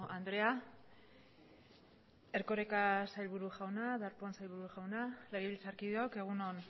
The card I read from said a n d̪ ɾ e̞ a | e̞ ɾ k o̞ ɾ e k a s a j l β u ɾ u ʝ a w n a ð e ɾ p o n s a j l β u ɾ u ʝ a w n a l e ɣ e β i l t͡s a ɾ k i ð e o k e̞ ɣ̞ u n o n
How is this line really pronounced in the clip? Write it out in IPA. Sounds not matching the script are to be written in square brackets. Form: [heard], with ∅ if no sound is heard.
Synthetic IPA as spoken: a n d̪ ɾ e̞ a | e̞ ɾ k o̞ ɾ e k a s a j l β u ɾ u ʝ a w n a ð [a] ɾ p o n s a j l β u ɾ u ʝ a w n a l e ɣ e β i l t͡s a ɾ k i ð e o k e̞ ɣ̞ u n o n

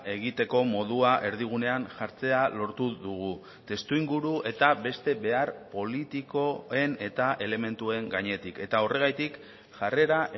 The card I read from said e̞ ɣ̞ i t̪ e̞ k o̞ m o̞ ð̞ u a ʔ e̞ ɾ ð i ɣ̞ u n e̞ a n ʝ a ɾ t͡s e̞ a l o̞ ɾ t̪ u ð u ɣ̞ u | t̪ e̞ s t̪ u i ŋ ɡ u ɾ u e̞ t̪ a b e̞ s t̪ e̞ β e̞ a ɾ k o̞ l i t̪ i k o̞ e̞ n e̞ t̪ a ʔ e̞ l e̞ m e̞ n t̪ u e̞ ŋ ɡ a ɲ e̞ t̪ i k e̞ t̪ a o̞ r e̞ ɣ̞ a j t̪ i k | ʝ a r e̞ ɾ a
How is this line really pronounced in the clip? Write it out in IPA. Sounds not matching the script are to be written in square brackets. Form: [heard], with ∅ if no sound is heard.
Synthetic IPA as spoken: e̞ ɣ̞ i t̪ e̞ k o̞ m o̞ ð̞ u a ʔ e̞ ɾ ð i ɣ̞ u n e̞ a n ʝ a ɾ t͡s e̞ a l o̞ ɾ t̪ u ð u ɣ̞ u | t̪ e̞ s t̪ u i ŋ ɡ u ɾ u e̞ t̪ a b e̞ s t̪ e̞ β e̞ a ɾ [p] o̞ l i t̪ i k o̞ e̞ n e̞ t̪ a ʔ e̞ l e̞ m e̞ n t̪ u e̞ ŋ ɡ a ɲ e̞ t̪ i k e̞ t̪ a o̞ r e̞ ɣ̞ a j t̪ i k | ʝ a r e̞ ɾ a

